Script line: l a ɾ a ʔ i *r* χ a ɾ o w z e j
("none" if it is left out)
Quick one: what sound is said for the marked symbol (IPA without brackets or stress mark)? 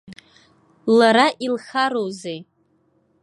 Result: l